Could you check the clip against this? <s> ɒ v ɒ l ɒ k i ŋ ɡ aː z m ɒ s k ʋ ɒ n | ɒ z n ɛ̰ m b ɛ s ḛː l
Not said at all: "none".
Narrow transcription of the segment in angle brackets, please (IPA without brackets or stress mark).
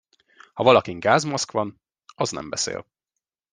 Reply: h